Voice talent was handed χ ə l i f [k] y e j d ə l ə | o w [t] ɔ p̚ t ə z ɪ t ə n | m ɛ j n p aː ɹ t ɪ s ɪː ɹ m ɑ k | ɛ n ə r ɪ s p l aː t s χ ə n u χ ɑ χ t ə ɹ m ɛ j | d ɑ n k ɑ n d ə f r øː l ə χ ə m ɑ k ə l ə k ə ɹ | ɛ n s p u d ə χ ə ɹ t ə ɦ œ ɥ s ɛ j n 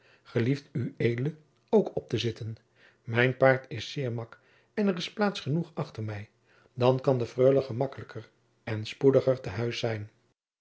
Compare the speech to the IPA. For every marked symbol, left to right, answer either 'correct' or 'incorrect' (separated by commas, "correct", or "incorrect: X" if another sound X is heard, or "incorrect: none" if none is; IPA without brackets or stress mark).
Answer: incorrect: t, incorrect: k